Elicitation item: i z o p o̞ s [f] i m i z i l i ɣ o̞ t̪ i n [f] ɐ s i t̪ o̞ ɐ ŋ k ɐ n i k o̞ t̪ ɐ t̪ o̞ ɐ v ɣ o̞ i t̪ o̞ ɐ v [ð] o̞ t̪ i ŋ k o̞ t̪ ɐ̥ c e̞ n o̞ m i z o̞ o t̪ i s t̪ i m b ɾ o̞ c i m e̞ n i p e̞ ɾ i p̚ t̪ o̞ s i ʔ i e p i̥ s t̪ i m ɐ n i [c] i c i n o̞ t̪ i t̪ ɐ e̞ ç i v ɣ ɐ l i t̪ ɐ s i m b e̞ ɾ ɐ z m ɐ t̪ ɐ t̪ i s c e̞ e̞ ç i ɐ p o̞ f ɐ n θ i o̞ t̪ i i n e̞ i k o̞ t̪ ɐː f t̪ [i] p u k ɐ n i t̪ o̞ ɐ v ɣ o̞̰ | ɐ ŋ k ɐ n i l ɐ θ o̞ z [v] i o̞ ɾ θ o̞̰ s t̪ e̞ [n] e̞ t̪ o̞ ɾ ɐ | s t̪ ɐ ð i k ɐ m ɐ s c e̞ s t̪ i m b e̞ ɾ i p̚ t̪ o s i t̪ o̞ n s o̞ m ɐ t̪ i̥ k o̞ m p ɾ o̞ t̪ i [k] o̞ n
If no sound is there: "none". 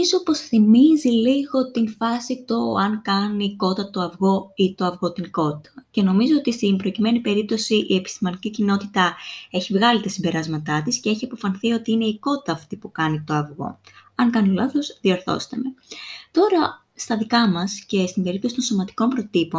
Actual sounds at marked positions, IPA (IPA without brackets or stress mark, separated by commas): θ, f, ɣ, c, i, ð, m, p